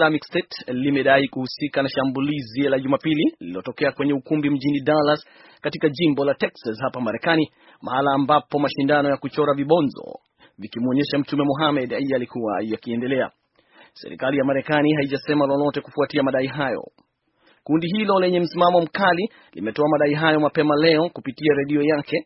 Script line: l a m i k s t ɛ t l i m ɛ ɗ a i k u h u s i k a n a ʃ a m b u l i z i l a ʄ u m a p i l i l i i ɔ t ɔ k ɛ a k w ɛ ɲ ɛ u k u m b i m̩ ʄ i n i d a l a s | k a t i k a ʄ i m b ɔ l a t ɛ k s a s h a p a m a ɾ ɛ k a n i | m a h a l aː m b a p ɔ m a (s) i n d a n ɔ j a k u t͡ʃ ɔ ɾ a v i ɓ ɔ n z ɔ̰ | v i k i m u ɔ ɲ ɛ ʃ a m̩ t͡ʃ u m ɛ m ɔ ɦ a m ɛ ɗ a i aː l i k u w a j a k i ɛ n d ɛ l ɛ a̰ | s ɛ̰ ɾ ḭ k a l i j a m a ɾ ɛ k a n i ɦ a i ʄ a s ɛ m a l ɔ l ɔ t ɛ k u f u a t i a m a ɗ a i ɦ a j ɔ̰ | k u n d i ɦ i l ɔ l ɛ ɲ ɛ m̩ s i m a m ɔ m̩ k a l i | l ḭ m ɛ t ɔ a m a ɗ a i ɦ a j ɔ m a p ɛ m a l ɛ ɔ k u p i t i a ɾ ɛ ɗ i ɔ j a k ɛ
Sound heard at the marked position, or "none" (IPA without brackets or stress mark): ʃ